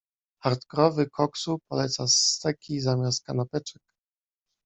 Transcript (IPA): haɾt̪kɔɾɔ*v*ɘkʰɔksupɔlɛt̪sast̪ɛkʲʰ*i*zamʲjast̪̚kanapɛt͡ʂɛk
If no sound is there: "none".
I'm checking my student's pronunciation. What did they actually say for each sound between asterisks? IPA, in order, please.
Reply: v, i

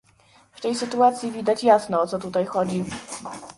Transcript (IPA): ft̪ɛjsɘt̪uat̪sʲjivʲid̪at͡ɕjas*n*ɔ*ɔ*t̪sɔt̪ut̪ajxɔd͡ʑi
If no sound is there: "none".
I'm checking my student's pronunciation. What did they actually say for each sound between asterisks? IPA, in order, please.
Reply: n, ɔ

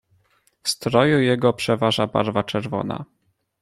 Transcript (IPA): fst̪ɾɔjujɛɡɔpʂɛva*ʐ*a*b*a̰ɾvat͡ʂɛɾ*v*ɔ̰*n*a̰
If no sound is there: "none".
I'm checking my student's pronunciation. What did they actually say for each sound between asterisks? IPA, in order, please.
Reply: ʐ, b, v, n

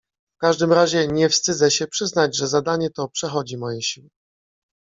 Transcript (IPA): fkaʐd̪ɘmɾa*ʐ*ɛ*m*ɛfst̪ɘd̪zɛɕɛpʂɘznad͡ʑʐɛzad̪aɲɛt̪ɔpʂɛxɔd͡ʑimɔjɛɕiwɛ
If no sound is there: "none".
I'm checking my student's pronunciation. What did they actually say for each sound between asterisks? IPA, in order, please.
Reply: ʑ, ɲ

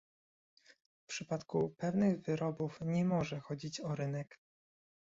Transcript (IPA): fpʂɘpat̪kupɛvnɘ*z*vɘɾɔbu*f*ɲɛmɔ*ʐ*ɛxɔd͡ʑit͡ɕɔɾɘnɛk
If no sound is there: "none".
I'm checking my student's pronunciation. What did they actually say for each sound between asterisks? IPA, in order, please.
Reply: ɣ, f, ʐ

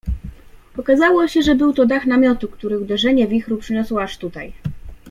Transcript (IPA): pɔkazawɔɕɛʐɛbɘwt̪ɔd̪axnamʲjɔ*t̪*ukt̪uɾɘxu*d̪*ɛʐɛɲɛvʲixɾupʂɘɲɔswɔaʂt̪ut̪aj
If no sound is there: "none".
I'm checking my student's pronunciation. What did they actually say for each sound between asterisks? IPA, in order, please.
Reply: t̪, d̪

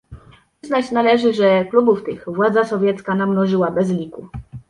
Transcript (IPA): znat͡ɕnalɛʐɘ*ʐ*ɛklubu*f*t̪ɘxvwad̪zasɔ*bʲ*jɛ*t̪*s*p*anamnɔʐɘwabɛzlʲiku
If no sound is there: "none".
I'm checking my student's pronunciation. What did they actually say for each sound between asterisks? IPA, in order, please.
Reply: ʐ, f, vʲ, t̪, k

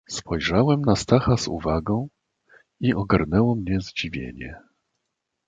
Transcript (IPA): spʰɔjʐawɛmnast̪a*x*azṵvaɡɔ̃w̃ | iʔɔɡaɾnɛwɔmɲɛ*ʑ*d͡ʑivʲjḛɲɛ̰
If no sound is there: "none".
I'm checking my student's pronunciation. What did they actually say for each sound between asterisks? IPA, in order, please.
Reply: x, z

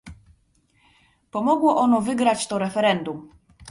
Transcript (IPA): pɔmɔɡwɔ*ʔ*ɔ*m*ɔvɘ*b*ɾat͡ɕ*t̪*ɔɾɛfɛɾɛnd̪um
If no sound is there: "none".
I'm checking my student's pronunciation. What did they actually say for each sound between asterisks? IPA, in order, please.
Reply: ʔ, n, ɡ, t̪

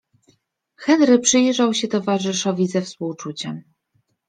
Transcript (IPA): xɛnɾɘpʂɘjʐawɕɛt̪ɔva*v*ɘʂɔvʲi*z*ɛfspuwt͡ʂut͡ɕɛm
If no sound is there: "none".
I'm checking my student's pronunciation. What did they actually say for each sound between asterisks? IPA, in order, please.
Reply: ʐ, z

